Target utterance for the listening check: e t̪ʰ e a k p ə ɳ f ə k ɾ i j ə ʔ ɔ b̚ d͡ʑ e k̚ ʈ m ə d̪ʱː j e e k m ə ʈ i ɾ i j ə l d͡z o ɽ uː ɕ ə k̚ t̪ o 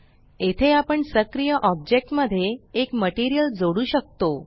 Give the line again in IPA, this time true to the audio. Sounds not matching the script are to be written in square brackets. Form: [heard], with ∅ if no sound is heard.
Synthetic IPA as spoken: e t̪ʰ e a [∅] p ə ɳ [s] ə k ɾ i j ə ʔ ɔ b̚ d͡ʑ e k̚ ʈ m ə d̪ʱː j e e k m ə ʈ i ɾ i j ə l d͡z o ɽ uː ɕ ə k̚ t̪ o

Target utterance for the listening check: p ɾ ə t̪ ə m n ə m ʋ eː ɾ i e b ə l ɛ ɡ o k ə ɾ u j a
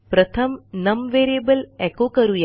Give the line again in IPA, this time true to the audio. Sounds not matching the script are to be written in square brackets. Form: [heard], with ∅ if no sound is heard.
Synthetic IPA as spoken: p ɾ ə [t̪ʰ] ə m n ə m ʋ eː ɾ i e b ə l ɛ [k] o k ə ɾ u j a

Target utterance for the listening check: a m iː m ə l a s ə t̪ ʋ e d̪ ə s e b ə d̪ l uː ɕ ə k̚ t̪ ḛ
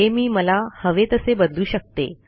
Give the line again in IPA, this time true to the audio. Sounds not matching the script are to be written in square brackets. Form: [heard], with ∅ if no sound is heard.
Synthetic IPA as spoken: [e] m iː m ə l a [h] ə [∅] ʋ e [t̪] ə s e b ə d̪ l uː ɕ ə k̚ t̪ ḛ

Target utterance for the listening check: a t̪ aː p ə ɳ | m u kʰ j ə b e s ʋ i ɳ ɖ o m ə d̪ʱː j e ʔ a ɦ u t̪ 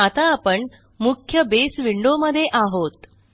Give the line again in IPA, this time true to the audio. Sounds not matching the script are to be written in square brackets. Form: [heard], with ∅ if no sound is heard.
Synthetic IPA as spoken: a t̪ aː p ə ɳ | m u kʰ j ə b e s ʋ i ɳ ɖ o m ə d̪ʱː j e ʔ a ɦ [o] t̪

